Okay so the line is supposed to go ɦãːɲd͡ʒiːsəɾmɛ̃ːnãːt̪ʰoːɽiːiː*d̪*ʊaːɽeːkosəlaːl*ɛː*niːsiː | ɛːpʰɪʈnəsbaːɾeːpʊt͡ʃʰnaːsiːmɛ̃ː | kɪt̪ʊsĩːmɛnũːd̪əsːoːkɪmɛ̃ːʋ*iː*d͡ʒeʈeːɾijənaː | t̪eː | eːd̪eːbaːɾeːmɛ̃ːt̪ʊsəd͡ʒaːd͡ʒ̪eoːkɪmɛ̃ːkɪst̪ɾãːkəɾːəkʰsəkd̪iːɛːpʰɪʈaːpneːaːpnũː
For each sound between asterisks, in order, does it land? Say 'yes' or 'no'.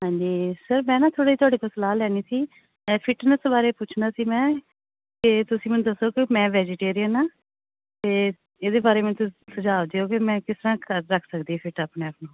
no, yes, no

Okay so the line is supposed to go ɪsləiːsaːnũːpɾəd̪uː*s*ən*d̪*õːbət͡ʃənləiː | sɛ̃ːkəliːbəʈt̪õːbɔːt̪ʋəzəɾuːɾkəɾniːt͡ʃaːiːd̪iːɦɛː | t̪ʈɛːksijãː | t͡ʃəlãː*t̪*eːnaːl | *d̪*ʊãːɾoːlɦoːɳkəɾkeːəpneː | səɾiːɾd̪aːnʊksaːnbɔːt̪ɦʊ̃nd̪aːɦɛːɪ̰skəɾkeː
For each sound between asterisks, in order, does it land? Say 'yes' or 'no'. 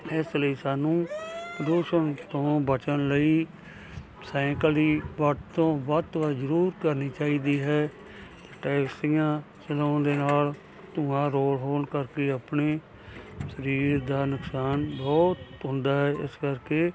no, no, no, no

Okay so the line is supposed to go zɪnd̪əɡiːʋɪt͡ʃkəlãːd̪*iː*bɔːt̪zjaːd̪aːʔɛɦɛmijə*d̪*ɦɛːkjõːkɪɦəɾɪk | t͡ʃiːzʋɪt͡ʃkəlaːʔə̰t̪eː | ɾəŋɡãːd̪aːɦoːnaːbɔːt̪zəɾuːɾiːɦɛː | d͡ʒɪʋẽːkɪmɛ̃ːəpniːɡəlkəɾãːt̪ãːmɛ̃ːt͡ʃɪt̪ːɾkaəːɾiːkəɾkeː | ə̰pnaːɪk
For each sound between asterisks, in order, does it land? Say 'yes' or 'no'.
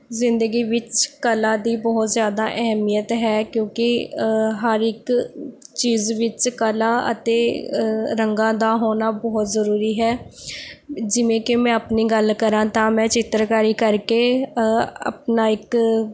yes, no

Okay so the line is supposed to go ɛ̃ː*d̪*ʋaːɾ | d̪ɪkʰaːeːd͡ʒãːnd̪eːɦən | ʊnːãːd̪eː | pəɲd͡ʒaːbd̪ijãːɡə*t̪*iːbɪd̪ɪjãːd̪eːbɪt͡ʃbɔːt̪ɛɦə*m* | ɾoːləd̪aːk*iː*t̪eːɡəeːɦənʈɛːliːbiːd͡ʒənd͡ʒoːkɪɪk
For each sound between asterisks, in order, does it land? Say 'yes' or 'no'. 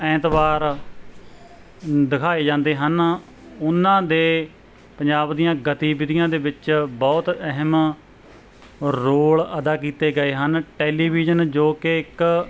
no, yes, yes, yes

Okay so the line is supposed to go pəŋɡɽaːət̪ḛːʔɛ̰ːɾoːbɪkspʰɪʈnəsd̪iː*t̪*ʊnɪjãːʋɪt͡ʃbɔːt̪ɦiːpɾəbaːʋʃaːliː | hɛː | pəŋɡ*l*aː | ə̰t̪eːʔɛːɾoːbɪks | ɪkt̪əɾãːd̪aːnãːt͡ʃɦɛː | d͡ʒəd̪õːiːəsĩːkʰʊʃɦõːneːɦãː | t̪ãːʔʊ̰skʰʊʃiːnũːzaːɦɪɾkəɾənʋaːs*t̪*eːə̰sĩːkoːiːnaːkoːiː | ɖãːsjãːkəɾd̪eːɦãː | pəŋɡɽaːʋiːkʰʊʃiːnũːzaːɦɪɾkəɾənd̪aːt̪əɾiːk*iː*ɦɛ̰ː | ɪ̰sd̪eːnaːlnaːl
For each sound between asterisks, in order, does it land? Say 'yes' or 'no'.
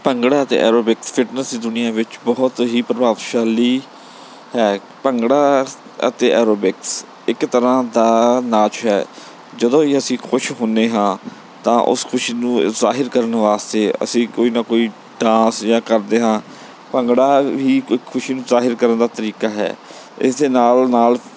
no, no, yes, no

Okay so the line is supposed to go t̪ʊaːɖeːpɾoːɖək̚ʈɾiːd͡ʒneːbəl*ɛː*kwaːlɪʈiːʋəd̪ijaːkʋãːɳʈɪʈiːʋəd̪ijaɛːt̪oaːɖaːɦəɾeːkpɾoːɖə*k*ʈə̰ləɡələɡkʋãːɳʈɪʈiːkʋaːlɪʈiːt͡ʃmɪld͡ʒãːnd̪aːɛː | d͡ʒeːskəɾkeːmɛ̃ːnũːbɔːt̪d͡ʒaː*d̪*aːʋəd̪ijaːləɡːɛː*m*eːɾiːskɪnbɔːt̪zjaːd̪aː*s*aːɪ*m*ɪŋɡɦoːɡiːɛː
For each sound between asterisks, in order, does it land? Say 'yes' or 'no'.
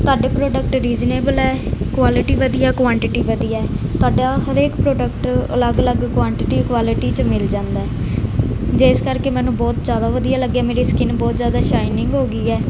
yes, yes, yes, yes, no, no

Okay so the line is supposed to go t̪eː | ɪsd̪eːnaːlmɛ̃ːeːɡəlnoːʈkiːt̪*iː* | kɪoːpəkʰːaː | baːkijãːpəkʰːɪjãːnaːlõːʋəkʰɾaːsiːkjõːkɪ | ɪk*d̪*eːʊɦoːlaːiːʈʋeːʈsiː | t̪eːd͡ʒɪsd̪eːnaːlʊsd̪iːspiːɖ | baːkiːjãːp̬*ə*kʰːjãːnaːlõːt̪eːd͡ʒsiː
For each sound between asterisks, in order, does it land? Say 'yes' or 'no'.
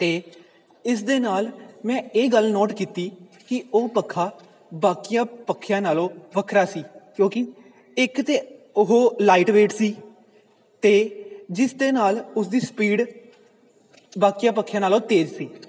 yes, no, yes

